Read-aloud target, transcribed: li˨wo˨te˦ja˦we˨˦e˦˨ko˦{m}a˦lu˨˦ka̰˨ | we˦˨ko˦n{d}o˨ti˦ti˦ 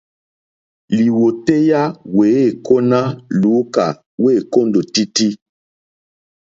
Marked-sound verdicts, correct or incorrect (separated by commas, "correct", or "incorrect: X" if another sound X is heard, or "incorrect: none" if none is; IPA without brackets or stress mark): incorrect: n, correct